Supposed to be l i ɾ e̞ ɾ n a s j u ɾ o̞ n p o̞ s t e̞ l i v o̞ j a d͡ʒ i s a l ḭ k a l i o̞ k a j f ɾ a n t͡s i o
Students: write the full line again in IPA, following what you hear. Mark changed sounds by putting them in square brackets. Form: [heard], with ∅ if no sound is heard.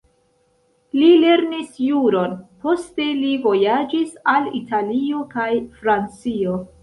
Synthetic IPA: l i [l] e̞ ɾ n [i] s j u ɾ o̞ n p o̞ s t e̞ l i v o̞ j a d͡ʒ i s a l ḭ [t] a l i o̞ k a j f ɾ a n t͡s i o